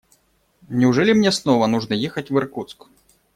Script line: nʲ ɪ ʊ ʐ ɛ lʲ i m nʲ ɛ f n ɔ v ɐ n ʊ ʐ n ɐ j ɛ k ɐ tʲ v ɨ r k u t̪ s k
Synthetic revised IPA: nʲ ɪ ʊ ʐ ɛ lʲ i m nʲ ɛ s n ɔ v ɐ n u ʐ n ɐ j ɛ x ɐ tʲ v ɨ r k u t̪ s k